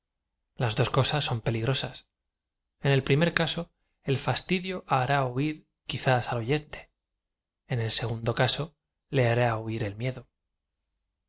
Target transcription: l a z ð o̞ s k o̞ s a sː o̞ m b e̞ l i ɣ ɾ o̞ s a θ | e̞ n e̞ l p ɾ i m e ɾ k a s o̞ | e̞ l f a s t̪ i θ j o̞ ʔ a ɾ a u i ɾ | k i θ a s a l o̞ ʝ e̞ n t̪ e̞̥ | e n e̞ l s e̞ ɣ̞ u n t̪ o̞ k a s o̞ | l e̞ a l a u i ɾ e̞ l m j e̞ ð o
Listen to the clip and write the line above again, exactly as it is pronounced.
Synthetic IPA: l a z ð o̞ s k o̞ s a sː o̞ m p e̞ l i ɣ ɾ o̞ s a s | e̞ n e̞ l p ɾ i m e ɾ k a s o̞ | e̞ l f a s t̪ i ð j o̞ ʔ a ɾ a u i ɾ | k i θ a s a l o̞ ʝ e̞ n t̪ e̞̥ | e n e̞ l s e̞ ɣ̞ u n d̪ o̞ k a s o̞ | l e̞ a ɾ a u i ɾ e̞ l m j e̞ ð o

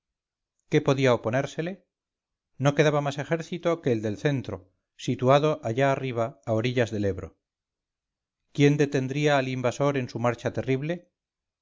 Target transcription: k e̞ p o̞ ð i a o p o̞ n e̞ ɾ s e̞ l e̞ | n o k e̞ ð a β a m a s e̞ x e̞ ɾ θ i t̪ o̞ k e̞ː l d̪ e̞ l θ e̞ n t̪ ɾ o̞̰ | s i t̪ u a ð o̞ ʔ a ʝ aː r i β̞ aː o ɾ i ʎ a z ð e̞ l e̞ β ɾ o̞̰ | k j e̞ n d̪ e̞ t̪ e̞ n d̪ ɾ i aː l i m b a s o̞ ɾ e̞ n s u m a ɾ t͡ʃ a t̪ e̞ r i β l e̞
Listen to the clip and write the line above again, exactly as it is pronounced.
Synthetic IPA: k e̞ p o̞ ð i a o p o̞ n e̞ ɾ s e̞ l e̞ | n o k e̞ ð a β a m a s e̞ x e̞ ɾ θ i t̪ o̞ k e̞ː l d̪ e̞ l θ e̞ n t̪ ɾ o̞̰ | s i t̪ u a ð o̞ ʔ a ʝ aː r i β̞ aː o ɾ i ʎ a z ð e̞ l e̞ β ɾ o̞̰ | k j e̞ n d̪ e̞ t̪ e̞ n d̪ ɾ i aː l i m b a s o̞ ɾ e̞ n s u m a ɾ t͡ʃ a t̪ e̞ r i β l e̞

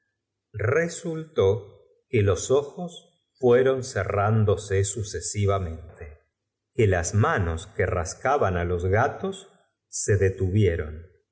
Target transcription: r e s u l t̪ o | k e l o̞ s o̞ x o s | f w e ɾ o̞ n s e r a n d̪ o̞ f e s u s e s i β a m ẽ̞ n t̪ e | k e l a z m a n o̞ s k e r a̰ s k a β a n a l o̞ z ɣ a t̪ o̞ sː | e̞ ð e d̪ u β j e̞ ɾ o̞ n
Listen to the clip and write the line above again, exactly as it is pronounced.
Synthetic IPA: r e s u l t̪ o | k e l o̞ s o̞ x o s | f w e ɾ o̞ n s e r a n d̪ o̞ s e s u s e s i β a m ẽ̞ n t̪ e | k e l a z m a n o̞ s k e r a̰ s k a β a n a l o̞ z ɣ a t̪ o̞ sː | e̞ ð e t̪ u β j e̞ ɾ o̞ n

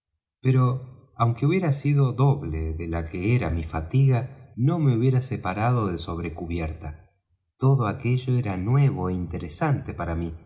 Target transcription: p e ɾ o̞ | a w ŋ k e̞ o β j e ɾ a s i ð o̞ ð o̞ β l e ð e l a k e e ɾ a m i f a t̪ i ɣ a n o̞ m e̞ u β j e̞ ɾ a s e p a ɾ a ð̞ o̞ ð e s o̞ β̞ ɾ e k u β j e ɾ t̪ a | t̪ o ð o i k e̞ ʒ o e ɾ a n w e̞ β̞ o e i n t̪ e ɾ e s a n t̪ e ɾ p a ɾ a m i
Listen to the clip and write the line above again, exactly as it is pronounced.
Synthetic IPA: p e ɾ o̞ | a w ŋ k e̞ u β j e ɾ a s i ð o̞ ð o̞ β l e ð e l a k e e ɾ a m i f a t̪ i ɣ a n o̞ m e̞ u β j e̞ ɾ a s e p a ɾ a ð̞ o̞ ð e s o̞ β̞ ɾ e k u β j e ɾ t̪ a | t̪ o ð o a k e̞ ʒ o e ɾ a n w e̞ β̞ o e i n t̪ e ɾ e s a n t̪ e p a ɾ a m i

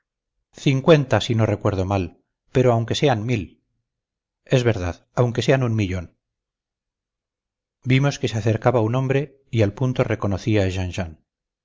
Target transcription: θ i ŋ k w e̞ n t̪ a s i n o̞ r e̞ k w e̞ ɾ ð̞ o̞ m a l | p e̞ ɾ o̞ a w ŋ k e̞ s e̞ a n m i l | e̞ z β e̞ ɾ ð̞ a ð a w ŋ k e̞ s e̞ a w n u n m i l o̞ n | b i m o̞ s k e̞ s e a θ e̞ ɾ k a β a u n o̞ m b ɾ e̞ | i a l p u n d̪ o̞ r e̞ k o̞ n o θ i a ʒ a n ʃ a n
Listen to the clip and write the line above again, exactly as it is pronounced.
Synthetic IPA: θ i ŋ k w e̞ n t̪ a s i n o̞ r e̞ k w e̞ ɾ ð̞ o̞ m a l | p e̞ ɾ o̞ a w ŋ k e̞ s e̞ a n m i l | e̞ z β e̞ ɾ ð̞ a ð a w ŋ k e̞ s e̞ a n u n m i ʎ o̞ n | b i m o̞ s k e̞ s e a θ e̞ ɾ k a β a u n o̞ m b ɾ e̞ | i a l p u n t̪ o̞ r e̞ k o̞ n o θ i a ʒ a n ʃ a n

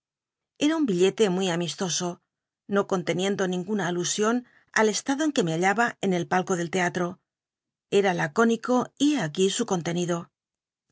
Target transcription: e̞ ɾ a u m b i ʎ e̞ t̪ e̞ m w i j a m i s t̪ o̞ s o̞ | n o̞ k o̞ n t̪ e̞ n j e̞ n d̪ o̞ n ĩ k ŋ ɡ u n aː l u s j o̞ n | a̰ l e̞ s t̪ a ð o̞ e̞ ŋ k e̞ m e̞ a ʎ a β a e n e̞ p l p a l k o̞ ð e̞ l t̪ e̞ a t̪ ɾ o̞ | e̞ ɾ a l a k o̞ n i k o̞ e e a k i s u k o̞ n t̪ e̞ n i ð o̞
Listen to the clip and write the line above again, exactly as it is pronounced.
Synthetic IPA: e̞ ɾ a u m b i ʎ e̞ t̪ e̞ m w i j a m i s t̪ o̞ s o̞ | n o̞ k o̞ n t̪ e̞ n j e̞ n d̪ o̞ n ĩ ŋ ɡ u n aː l u s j o̞ n | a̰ l e̞ s t̪ a ð o̞ e̞ ŋ k e̞ m e̞ a ʎ a β a e n e̞ l p a l k o̞ ð e̞ l t̪ e̞ a t̪ ɾ o̞ | e̞ ɾ a l a k o̞ n i k o̞ i e a k i s u k o̞ n t̪ e̞ n i ð o̞

